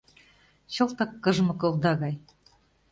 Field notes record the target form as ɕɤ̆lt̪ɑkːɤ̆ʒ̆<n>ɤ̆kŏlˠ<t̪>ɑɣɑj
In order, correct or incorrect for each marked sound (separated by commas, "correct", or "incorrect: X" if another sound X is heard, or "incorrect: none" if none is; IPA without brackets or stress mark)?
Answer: incorrect: m, incorrect: d̪